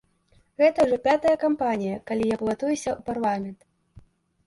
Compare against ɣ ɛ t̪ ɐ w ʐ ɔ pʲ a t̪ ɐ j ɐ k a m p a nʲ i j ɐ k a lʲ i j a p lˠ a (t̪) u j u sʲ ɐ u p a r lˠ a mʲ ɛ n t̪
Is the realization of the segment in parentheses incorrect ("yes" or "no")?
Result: no